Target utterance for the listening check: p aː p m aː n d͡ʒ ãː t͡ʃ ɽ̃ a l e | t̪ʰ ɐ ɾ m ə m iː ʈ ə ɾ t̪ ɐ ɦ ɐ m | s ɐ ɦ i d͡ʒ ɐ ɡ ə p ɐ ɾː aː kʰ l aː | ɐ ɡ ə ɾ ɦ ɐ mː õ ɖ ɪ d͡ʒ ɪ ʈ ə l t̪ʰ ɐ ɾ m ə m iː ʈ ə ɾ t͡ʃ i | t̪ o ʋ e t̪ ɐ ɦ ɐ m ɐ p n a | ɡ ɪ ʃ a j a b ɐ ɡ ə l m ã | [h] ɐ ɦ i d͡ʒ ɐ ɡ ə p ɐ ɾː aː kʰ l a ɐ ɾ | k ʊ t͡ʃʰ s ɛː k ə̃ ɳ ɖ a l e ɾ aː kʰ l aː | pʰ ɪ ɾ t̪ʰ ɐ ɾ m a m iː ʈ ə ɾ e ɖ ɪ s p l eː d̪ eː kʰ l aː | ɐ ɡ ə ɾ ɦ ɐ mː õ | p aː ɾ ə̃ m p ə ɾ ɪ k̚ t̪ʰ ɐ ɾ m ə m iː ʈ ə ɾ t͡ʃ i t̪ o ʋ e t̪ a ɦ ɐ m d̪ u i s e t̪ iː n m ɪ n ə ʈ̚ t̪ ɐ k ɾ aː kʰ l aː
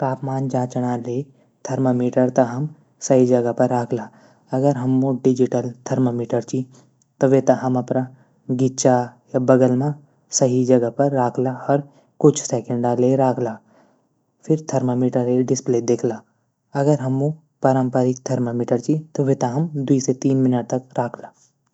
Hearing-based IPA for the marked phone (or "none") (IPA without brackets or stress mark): s